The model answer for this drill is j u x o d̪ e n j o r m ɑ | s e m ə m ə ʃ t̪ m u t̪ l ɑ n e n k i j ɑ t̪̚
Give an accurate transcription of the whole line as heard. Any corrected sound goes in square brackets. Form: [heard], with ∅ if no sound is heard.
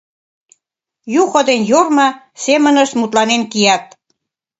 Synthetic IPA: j u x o d̪ e n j o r m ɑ | s e m ə [n] ə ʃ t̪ m u t̪ l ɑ n e n k i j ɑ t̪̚